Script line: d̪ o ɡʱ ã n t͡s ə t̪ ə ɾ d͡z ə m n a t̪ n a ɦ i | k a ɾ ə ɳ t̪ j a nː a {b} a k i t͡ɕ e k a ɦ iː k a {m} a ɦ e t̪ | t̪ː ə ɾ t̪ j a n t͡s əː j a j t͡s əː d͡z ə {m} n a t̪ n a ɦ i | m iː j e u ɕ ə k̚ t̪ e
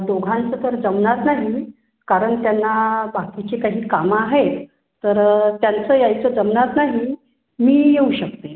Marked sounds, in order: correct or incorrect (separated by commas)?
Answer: correct, correct, correct